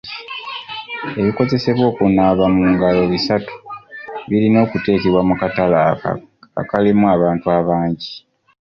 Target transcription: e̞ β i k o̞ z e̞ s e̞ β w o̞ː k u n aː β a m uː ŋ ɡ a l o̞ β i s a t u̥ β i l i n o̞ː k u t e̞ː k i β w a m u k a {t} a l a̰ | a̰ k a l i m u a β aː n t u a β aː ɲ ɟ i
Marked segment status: correct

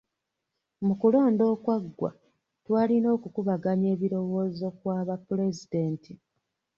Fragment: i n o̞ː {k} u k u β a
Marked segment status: correct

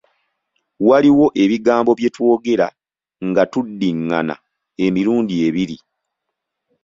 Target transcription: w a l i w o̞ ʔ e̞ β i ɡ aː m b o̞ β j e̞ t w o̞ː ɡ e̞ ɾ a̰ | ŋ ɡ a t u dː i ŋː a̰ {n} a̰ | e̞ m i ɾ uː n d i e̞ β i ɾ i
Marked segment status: correct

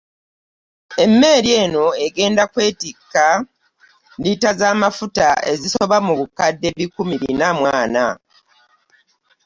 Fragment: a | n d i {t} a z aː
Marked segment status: correct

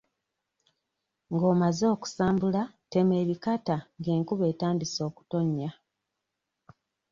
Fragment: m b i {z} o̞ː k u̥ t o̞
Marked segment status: incorrect: s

